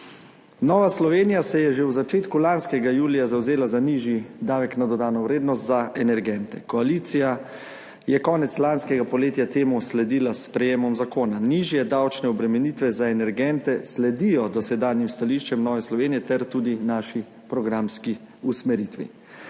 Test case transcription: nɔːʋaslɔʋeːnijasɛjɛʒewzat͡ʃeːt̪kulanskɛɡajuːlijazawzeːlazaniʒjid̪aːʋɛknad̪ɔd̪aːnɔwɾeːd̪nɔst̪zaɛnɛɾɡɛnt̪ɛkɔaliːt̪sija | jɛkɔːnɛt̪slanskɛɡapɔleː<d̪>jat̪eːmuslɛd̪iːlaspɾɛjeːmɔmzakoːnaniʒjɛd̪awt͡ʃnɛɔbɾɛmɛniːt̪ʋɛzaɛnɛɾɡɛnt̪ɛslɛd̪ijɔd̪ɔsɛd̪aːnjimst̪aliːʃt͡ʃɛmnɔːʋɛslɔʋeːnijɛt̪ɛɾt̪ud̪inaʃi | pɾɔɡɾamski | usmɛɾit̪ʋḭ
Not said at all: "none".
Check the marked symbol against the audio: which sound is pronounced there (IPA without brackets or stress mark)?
t̪